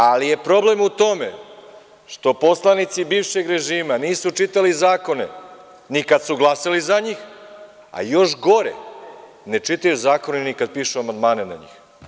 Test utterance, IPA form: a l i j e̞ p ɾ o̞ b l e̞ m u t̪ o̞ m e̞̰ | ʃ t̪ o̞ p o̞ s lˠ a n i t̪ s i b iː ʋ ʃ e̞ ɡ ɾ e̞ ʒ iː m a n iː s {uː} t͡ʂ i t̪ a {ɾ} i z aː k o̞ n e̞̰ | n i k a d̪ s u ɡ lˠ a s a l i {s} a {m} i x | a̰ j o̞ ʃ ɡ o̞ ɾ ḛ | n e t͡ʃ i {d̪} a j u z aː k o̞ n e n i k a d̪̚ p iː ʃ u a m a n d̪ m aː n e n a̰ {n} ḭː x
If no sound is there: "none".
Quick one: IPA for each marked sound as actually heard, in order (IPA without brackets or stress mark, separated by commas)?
u, l, z, ɲ, t̪, ɲ